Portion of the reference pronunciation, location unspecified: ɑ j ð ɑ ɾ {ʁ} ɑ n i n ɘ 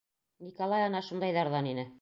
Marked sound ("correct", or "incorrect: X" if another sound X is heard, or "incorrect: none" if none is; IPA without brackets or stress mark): incorrect: ð